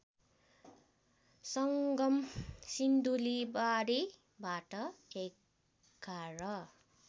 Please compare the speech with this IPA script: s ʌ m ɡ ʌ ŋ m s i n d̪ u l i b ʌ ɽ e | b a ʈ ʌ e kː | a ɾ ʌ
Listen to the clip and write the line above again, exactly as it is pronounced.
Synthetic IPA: s ʌ ŋ ɡ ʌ m s i n d̪ u l i b a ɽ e | b a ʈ ʌ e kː | a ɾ ʌ